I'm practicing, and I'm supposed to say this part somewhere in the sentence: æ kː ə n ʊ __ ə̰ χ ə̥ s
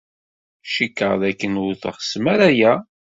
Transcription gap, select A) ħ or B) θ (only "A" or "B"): B